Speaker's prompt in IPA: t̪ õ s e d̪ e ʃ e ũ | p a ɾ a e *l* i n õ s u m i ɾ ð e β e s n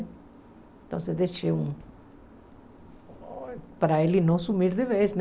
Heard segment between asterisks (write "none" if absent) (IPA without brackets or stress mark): l